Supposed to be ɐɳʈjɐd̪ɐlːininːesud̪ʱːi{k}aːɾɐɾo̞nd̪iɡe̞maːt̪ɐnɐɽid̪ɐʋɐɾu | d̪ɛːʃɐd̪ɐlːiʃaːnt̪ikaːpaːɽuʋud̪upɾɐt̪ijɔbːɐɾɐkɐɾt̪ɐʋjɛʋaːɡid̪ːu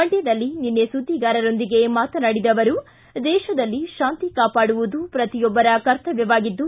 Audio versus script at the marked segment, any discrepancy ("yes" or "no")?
yes